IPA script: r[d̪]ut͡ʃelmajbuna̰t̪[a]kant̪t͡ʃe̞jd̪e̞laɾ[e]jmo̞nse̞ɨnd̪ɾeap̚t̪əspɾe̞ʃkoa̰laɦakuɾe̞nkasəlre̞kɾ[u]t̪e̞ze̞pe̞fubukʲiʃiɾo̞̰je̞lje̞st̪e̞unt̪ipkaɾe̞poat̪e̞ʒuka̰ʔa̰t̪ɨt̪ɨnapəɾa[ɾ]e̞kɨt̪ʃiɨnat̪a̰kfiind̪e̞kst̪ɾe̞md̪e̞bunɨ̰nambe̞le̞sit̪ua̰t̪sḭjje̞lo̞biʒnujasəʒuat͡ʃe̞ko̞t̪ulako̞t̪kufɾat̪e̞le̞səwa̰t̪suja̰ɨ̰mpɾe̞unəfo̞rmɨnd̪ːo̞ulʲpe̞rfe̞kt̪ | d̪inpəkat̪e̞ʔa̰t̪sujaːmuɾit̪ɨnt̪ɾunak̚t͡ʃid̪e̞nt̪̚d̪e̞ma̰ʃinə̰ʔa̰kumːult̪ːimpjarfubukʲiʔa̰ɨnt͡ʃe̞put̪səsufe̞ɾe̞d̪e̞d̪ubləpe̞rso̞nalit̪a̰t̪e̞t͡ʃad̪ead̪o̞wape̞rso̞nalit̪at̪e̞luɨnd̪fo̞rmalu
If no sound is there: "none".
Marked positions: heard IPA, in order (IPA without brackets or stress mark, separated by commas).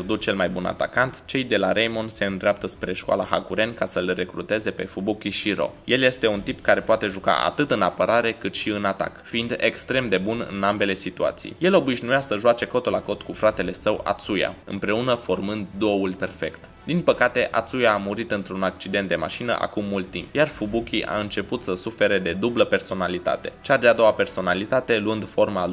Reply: d̪, a, e, u, ɾ